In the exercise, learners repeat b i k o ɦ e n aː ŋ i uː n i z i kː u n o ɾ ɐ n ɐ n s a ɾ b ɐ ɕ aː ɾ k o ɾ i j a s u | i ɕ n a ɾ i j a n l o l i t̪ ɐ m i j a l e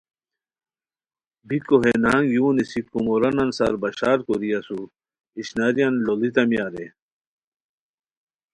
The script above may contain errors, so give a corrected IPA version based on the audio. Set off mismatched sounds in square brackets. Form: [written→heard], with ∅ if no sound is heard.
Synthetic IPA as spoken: b i k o ɦ e n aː ŋ [i→j] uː n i [z→s] i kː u [n→m] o ɾ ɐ n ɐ n s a ɾ b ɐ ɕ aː ɾ k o ɾ i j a s u | i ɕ n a ɾ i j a n l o l i t̪ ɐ m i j a [l→ɾ] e

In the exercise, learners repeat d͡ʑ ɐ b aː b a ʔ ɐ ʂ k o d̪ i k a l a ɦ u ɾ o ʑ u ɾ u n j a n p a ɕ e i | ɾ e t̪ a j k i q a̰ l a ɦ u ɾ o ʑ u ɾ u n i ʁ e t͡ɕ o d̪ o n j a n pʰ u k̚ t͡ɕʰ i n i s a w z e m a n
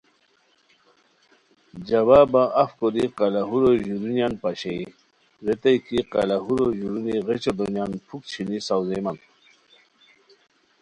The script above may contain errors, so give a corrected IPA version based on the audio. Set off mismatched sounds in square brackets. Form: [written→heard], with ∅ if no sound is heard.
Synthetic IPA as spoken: d͡ʑ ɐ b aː b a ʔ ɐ [ʂ→f] k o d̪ i [k→q] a l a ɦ u ɾ o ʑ u ɾ u n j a n p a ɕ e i | ɾ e t̪ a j k i q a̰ l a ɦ u ɾ o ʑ u ɾ u n i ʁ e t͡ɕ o d̪ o n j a n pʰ u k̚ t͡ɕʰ i n i s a w z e m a n

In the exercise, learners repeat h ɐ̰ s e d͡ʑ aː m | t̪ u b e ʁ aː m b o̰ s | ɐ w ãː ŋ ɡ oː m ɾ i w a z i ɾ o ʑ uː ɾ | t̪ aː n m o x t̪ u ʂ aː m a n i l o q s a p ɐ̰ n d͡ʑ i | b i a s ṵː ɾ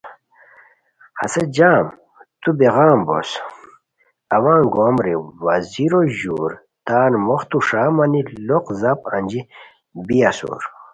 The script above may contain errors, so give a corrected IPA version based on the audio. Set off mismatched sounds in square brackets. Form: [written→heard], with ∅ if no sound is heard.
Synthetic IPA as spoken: h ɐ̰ s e d͡ʑ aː m | t̪ u b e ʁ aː m b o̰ s | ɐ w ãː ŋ ɡ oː m ɾ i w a z i ɾ o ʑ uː ɾ | t̪ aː n m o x t̪ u ʂ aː m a n i l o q [s→z] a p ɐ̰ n d͡ʑ i | b i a s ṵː ɾ

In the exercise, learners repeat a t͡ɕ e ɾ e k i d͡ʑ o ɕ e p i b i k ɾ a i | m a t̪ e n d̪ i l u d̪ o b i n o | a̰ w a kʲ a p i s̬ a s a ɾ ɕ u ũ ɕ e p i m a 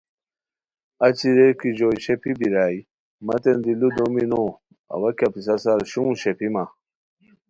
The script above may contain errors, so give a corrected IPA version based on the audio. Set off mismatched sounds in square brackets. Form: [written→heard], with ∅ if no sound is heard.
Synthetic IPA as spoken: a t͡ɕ [e→i] ɾ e k i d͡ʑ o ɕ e p i b i [k→∅] ɾ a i | m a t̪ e n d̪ i l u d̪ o [b→m] i n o | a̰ w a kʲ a p i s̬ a s a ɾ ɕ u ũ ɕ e p i m a

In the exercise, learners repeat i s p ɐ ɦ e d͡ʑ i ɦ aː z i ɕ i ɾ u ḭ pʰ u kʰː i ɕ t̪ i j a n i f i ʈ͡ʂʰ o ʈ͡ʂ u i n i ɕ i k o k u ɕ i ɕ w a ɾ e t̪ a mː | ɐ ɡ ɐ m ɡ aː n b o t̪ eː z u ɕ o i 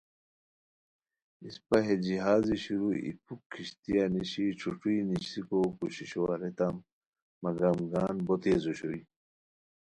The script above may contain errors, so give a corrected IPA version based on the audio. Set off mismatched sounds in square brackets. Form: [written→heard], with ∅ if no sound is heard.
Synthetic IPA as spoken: i s p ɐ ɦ e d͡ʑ i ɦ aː z i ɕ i ɾ u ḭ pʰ u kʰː i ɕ t̪ i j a n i [f→ɕ] i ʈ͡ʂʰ [o→u] ʈ͡ʂ u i n i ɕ i k o k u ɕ i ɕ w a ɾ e t̪ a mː | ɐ ɡ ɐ m ɡ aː n b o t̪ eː z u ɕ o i

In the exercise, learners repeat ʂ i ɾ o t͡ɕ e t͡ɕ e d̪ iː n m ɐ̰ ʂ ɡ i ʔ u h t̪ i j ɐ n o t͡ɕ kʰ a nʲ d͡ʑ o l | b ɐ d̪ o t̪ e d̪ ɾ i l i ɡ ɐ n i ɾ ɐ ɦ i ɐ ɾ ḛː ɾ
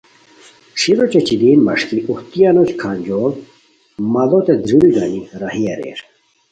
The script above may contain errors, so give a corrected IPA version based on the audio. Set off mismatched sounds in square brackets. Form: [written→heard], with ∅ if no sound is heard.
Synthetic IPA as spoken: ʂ i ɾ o t͡ɕ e t͡ɕ [e→i] d̪ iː n m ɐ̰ ʂ [ɡ→k] i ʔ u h t̪ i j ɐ n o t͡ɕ kʰ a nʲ d͡ʑ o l | [b→m] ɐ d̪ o t̪ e d̪ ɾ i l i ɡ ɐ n i ɾ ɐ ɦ i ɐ ɾ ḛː ɾ

